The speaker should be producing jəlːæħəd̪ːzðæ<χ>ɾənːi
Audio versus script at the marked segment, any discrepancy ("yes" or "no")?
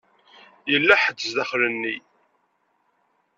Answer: no